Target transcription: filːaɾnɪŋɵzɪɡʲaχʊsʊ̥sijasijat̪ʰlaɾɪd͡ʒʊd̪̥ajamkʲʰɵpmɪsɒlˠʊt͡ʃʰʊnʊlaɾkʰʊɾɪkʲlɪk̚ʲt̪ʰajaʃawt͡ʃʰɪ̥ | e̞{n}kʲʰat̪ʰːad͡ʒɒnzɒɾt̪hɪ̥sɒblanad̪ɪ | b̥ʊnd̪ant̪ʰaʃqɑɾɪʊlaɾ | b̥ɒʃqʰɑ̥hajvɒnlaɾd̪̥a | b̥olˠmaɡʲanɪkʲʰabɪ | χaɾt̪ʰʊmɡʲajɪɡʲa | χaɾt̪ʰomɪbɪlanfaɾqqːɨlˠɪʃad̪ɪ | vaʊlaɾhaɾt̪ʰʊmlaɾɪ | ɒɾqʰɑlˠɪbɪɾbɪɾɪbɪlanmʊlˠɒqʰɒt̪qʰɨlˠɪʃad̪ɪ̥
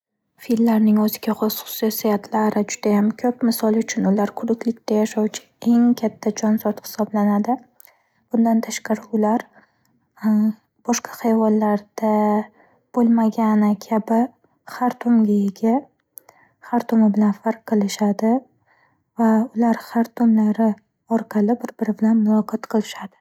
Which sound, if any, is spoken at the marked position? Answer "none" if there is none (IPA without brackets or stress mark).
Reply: ŋ